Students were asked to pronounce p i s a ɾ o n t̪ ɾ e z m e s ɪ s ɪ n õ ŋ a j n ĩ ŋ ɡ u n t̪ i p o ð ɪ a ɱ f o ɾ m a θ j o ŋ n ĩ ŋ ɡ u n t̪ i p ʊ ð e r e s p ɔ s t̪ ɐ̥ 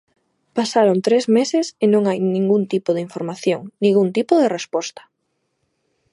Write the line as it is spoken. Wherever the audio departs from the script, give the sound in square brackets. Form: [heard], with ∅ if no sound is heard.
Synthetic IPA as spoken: p [a] s a ɾ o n t̪ ɾ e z m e s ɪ s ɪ n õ ŋ a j n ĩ ŋ ɡ u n t̪ i p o ð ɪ [i] ɱ f o ɾ m a θ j o ŋ n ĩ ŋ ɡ u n t̪ i p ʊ ð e r e s p ɔ s t̪ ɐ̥